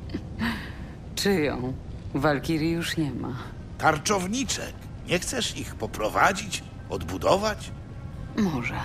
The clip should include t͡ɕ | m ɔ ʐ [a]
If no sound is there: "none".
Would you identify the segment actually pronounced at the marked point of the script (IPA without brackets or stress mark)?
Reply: ɛ